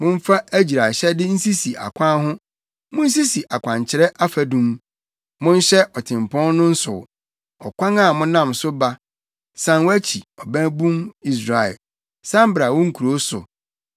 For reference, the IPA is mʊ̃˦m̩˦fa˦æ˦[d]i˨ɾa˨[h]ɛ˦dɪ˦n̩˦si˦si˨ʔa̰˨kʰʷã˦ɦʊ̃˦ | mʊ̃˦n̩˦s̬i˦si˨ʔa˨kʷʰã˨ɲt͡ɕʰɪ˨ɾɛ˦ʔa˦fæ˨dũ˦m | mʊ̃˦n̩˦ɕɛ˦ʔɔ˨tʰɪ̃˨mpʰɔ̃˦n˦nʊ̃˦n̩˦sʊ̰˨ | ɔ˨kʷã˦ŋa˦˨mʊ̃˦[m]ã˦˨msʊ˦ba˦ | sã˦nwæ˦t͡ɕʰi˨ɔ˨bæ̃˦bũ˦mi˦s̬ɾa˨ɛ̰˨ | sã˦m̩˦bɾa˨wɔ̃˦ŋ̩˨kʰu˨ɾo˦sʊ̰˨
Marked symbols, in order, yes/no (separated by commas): no, no, no